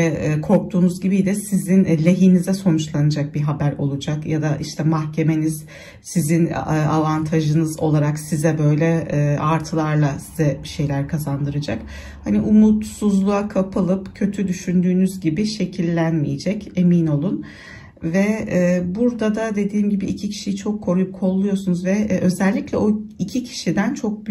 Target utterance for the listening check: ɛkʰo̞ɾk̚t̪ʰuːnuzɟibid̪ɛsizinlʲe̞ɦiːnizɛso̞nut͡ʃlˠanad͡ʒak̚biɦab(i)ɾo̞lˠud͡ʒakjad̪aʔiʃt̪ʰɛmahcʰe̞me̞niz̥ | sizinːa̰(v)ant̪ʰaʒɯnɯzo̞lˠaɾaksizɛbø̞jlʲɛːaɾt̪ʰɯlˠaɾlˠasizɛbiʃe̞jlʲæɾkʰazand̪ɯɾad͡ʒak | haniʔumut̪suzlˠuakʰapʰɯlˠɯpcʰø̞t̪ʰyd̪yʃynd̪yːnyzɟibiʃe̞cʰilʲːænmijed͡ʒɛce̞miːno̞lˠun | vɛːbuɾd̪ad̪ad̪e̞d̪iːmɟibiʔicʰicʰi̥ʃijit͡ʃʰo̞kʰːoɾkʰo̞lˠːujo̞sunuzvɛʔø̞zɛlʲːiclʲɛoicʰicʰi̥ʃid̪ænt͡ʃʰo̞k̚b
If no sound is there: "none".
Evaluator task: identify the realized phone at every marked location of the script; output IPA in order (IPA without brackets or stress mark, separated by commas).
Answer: æ, v